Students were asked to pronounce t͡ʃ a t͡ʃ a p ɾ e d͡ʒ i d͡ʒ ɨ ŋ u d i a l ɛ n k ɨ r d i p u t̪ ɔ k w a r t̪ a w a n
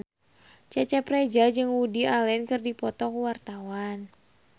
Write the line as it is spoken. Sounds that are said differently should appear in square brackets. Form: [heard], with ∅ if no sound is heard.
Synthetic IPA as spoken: t͡ʃ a t͡ʃ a p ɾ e d͡ʒ [a] d͡ʒ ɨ ŋ u d i a l ɛ n k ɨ r d i p [ɔ] t̪ ɔ k w a r t̪ a w a n